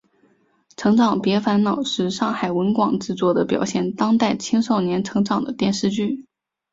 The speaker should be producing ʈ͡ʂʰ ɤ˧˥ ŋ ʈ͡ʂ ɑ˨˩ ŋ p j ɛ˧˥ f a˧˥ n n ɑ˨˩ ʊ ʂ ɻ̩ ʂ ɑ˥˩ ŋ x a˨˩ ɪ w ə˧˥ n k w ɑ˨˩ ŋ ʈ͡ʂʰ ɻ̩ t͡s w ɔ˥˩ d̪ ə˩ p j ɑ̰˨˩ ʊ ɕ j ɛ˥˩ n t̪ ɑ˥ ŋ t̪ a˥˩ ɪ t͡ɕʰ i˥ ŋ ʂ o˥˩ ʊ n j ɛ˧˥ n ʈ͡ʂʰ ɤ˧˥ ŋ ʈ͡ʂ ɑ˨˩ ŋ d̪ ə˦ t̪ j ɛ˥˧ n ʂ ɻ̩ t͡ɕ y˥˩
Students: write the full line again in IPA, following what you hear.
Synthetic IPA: ʈ͡ʂʰ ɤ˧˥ ŋ ʈ͡ʂ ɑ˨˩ ŋ p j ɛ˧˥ f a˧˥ n n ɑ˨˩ ʊ ʂ ɻ̩ ʂ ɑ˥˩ ŋ x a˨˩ ɪ w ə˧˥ n k w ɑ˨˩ ŋ ʈ͡ʂ ɻ̩ t͡s w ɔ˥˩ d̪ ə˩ p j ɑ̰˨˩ ʊ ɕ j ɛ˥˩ n t̪ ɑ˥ ŋ t̪ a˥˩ ɪ t͡ɕʰ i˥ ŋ ʂ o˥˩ ʊ n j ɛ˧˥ n ʈ͡ʂʰ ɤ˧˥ ŋ ʈ͡ʂ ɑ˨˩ ŋ d̪ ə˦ t̪ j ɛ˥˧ n ʂ ɻ̩ t͡ɕ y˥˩